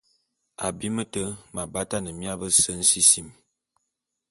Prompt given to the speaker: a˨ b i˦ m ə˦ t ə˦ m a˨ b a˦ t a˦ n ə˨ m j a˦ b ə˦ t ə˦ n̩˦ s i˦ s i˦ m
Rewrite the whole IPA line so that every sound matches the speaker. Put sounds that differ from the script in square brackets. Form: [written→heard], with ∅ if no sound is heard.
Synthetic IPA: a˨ b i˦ m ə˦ t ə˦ m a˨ b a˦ t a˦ n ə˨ m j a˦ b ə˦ [t→s] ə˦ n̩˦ s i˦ s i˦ m

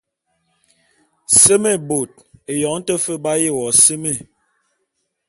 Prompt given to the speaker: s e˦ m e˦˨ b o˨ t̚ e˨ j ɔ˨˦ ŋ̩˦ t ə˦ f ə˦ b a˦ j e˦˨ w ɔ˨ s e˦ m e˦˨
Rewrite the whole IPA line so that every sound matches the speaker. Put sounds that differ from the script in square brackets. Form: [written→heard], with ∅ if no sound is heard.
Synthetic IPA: s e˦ m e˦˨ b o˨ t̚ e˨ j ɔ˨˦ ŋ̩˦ t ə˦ f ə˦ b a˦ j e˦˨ w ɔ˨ s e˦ m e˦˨

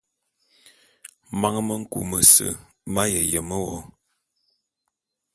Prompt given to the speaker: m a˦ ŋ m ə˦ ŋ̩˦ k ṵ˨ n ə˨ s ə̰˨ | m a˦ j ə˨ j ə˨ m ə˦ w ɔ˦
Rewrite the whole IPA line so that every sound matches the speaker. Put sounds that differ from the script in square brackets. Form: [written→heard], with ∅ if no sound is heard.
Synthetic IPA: m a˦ ŋ m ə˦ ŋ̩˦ k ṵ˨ [n→m] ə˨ s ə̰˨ | m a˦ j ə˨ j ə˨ m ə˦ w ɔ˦

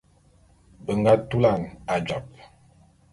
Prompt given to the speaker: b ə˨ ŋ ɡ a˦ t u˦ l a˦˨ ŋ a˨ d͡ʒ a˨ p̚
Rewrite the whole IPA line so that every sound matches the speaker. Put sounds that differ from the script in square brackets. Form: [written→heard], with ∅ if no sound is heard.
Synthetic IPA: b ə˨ ŋ ɡ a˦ t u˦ l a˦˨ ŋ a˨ d͡ʒ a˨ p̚

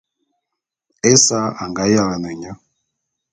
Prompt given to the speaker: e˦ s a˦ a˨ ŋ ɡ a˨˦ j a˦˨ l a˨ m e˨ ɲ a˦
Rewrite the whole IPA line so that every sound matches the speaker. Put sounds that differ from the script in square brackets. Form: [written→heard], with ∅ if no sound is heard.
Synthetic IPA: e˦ s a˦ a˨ ŋ ɡ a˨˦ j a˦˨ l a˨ [m→n] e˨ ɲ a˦

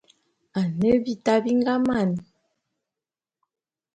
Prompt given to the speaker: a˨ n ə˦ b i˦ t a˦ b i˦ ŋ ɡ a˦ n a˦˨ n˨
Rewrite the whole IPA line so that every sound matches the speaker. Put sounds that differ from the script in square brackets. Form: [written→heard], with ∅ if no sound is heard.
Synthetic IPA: a˨ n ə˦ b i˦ t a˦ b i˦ ŋ ɡ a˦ [n→m] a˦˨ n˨

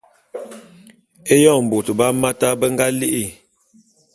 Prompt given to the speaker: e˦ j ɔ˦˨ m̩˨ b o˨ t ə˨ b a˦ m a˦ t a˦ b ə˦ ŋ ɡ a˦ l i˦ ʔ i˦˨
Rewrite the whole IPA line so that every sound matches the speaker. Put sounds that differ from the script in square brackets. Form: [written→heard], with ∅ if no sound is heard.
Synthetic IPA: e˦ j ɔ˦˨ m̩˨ b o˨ t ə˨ b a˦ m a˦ t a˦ b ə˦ ŋ ɡ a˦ l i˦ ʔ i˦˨

